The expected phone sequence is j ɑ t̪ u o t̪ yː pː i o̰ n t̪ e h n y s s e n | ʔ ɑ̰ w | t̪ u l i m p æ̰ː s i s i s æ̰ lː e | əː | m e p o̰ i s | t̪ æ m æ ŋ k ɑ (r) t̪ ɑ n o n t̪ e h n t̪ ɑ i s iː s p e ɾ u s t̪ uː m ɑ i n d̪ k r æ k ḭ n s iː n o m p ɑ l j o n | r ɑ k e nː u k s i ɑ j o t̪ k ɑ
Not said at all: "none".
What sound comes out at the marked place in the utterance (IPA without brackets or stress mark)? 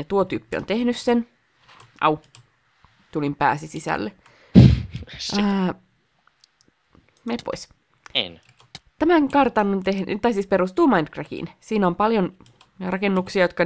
r